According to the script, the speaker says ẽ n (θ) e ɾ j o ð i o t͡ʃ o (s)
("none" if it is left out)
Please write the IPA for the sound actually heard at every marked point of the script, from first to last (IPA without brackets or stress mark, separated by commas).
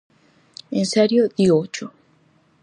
s, none